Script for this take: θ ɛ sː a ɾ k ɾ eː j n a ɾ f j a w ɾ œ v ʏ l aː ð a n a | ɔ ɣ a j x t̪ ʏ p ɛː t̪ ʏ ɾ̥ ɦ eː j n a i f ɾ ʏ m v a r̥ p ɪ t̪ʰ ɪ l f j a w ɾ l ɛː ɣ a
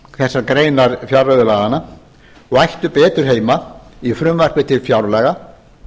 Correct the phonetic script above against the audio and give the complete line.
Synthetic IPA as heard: θ ɛ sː a ɾ k ɾ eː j n a ɾ f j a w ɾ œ ð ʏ l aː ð a n a | ɔ ɣ a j h t̪ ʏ p ɛː t̪ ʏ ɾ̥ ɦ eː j m a i f ɾ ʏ m v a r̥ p ɪ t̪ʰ ɪ l f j a w ɾ l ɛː ɣ a